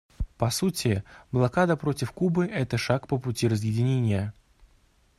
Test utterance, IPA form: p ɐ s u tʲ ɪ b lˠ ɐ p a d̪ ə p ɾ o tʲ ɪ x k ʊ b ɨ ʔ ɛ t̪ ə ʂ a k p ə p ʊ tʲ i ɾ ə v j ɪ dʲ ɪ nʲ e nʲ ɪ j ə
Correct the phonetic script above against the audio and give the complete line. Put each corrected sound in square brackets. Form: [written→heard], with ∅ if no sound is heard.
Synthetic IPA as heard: p ɐ s u tʲ ɪ b lˠ ɐ [p→k] a d̪ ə p ɾ o tʲ ɪ [x→f] k [ʊ→u] b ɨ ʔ ɛ t̪ ə ʂ a k p ə p ʊ tʲ i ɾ ə [v→z] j ɪ dʲ ɪ nʲ e nʲ ɪ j ə

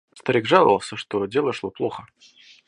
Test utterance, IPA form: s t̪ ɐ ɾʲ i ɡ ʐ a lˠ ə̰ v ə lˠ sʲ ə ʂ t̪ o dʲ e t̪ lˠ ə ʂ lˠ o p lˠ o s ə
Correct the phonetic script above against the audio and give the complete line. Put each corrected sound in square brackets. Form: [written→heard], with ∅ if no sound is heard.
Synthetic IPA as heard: s t̪ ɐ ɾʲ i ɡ ʐ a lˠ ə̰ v ə lˠ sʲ ə ʂ t̪ o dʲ e [t̪→∅] lˠ ə ʂ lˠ o p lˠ o [s→x] ə

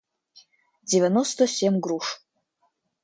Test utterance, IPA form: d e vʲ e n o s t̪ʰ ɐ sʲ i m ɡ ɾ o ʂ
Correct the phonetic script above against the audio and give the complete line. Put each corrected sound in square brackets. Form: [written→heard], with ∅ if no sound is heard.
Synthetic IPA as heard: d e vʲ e n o s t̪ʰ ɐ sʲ [i→e] m ɡ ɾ [o→u] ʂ

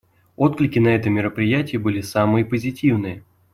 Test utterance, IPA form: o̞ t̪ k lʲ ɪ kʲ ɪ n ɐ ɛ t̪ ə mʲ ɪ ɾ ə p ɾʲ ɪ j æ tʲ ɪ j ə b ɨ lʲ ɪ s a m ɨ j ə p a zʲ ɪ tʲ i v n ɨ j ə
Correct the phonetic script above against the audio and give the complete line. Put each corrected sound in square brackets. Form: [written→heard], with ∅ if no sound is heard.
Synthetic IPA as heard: o̞ t̪ k lʲ ɪ kʲ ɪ n ɐ ɛ t̪ ə mʲ ɪ ɾ ə p ɾʲ ɪ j æ tʲ ɪ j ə b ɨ lʲ ɪ s a m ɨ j ə p [a→ə] zʲ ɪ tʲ i v n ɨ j ə

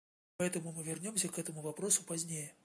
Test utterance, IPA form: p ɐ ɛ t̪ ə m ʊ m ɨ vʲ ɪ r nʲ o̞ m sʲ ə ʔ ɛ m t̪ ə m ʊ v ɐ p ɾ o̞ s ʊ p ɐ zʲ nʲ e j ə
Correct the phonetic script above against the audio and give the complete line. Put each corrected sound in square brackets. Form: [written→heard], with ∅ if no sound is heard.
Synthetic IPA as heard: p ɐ ɛ t̪ ə m ʊ m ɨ vʲ ɪ r nʲ o̞ m sʲ ə [ʔ→k] ɛ [m→∅] t̪ ə m ʊ v ɐ p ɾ o̞ s ʊ p ɐ zʲ nʲ e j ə

